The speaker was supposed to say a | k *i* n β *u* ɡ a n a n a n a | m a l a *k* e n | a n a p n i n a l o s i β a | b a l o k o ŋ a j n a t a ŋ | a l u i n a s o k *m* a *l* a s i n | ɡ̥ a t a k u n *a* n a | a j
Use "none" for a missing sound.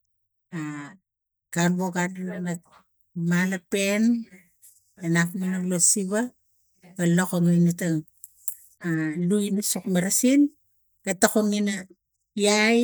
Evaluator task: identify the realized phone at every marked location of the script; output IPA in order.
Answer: a, o, p, m, ɾ, i

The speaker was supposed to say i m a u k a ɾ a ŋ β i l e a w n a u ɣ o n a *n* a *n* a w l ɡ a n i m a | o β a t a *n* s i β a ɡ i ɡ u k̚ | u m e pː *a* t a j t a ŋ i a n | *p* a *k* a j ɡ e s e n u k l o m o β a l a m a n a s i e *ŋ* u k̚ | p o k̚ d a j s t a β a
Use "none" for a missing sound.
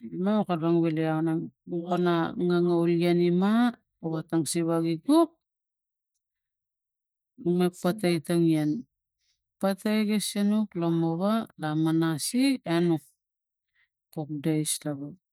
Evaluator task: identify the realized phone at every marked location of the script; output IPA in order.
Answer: ŋ, ŋ, ŋ, a, p, t, n

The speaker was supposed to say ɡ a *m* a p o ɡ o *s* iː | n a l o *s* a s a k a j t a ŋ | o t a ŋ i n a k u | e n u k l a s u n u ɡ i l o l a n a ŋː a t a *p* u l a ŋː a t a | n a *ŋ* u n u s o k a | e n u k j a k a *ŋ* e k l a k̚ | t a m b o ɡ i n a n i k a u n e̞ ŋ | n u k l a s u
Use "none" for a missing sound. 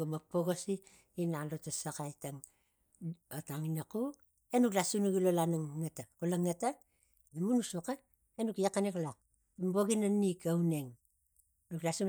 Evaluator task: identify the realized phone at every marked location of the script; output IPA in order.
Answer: m, s, t, k, m, n

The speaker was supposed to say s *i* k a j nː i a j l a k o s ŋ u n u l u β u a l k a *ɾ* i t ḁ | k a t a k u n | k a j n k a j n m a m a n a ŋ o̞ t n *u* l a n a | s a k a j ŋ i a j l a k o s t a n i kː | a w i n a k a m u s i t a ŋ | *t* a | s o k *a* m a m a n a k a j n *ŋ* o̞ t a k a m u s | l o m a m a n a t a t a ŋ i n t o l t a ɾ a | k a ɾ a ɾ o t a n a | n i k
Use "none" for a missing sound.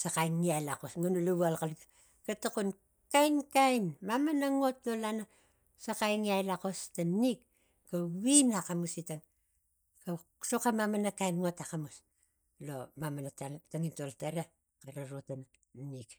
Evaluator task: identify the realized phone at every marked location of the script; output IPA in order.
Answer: a, l, o, k, a, ŋ

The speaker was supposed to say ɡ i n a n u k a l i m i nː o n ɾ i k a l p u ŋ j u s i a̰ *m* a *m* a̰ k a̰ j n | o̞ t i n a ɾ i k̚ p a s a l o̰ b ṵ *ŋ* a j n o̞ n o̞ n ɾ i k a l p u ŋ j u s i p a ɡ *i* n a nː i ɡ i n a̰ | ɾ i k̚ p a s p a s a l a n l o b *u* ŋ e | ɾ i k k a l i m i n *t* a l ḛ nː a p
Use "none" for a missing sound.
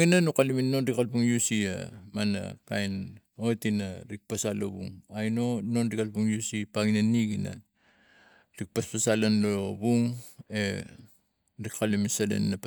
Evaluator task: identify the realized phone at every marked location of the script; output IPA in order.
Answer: m, n, ŋ, i, u, s

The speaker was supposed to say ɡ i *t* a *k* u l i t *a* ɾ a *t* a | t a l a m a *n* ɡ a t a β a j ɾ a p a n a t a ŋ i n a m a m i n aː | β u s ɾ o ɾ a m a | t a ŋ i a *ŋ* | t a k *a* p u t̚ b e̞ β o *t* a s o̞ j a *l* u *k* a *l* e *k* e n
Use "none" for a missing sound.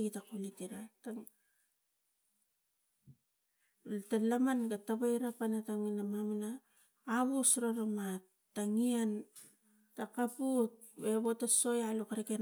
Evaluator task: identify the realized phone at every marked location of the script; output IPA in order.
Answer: t, k, i, t, n, n, a, t, l, k, ɾ, k

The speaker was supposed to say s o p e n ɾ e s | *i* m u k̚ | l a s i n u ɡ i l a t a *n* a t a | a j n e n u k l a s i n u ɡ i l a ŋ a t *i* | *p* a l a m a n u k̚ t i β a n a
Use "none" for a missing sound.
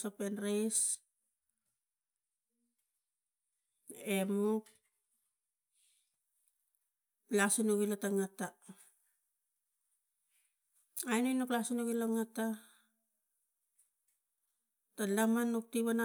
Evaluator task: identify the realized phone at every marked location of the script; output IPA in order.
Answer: e, ŋ, a, t

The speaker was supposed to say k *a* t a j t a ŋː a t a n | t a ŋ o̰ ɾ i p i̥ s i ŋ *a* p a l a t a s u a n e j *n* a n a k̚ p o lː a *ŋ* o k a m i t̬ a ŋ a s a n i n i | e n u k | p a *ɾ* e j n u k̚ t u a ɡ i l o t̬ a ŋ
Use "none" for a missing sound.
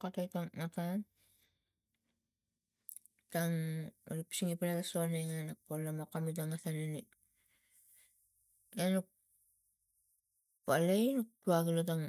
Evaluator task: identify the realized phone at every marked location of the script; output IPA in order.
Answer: a, i, ŋ, m, l

